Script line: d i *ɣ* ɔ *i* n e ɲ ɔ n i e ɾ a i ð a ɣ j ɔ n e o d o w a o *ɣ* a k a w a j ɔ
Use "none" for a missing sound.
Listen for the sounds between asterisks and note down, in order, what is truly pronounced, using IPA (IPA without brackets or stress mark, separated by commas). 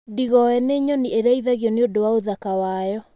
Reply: ɣ, ɛ, ð